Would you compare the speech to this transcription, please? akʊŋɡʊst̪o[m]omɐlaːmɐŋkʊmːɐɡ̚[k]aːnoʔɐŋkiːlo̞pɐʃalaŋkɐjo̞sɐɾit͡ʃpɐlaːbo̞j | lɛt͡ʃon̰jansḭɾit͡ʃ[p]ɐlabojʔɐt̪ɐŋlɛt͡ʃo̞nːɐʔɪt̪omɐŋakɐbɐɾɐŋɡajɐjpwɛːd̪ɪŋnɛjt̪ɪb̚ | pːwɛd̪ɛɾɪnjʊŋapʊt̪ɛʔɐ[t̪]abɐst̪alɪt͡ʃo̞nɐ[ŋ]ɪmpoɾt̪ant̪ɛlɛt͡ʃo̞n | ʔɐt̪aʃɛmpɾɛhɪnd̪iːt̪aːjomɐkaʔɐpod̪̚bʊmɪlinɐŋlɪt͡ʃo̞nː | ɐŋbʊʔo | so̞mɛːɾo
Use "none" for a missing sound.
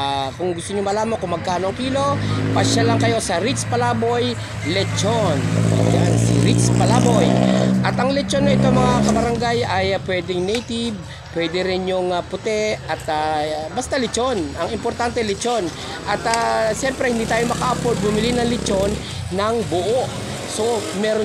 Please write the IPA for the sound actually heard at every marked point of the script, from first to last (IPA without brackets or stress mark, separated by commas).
ɲ, k, p, t̪, ŋ